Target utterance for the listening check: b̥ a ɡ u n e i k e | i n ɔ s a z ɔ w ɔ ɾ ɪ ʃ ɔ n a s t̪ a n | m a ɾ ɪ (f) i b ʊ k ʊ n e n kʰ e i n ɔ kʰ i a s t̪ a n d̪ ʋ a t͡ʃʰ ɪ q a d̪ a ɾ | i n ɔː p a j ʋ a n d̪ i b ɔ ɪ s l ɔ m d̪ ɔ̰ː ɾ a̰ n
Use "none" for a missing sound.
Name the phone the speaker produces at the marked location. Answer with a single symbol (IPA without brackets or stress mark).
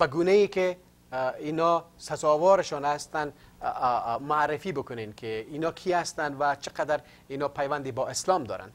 f